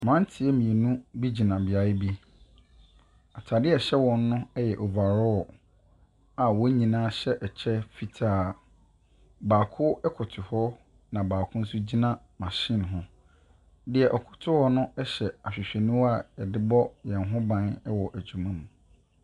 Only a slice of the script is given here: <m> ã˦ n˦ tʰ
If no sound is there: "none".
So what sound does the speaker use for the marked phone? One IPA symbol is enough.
m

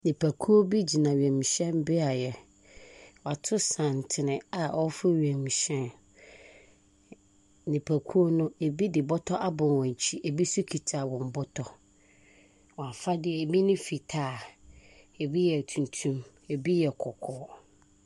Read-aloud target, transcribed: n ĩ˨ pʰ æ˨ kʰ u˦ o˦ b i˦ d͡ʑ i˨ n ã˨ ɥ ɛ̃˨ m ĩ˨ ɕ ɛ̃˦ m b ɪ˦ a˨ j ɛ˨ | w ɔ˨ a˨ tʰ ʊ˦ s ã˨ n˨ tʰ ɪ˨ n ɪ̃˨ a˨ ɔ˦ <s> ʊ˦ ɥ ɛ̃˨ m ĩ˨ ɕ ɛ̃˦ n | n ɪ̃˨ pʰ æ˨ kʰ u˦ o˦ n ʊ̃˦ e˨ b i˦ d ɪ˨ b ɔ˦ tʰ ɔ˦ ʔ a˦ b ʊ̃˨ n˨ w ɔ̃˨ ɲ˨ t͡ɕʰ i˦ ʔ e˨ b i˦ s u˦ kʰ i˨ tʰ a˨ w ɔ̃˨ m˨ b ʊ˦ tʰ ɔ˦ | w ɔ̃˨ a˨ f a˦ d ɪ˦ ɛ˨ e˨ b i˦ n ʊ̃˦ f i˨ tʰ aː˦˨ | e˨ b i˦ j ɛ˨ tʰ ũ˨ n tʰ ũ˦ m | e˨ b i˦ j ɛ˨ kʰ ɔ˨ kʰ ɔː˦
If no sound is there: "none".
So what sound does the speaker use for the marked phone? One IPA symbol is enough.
f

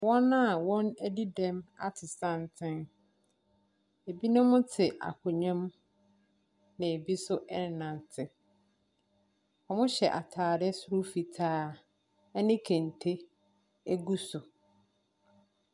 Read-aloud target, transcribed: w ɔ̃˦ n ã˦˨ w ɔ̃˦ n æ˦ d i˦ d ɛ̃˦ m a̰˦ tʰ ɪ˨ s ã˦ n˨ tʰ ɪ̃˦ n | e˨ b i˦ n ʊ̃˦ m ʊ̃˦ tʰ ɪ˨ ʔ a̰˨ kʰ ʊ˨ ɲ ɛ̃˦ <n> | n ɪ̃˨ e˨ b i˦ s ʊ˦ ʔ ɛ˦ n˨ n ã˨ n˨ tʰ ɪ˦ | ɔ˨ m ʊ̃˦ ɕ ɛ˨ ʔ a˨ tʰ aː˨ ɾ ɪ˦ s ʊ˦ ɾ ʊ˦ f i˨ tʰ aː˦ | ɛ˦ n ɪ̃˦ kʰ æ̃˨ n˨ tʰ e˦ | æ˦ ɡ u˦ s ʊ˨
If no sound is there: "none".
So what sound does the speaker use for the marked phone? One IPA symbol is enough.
m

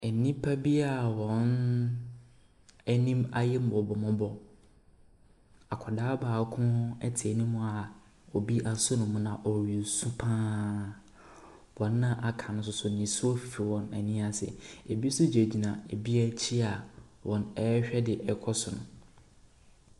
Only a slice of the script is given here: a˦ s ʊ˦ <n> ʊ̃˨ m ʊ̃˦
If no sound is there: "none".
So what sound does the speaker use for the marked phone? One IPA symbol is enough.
n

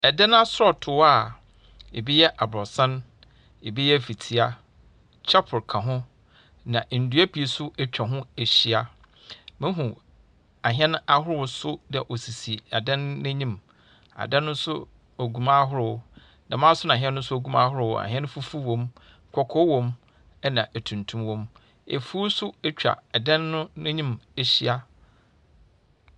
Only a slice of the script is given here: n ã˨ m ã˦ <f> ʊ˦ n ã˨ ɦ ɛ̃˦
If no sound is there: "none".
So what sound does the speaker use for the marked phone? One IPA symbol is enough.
s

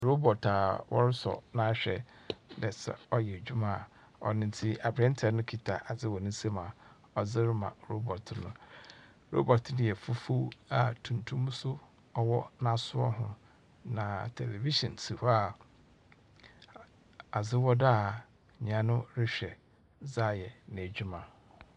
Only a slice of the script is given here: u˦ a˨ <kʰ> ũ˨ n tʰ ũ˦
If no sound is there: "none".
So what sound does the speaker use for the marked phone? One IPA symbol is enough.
tʰ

